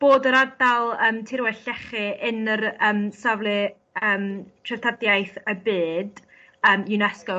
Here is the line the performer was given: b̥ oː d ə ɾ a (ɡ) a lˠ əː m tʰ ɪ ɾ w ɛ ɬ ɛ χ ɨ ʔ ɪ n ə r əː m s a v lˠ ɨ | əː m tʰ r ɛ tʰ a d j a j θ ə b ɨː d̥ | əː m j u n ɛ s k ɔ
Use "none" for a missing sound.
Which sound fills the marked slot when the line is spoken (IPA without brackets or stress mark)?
d